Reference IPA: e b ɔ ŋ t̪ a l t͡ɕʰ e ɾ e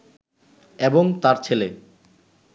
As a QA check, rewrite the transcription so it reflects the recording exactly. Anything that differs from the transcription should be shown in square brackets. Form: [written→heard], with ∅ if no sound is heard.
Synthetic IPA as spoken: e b [ɔ→o] ŋ t̪ a [l→ɾ] t͡ɕʰ e [ɾ→l] e